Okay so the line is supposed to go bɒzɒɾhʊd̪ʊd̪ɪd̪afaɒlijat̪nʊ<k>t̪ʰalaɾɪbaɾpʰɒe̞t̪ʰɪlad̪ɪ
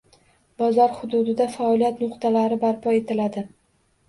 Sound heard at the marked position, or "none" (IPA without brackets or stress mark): q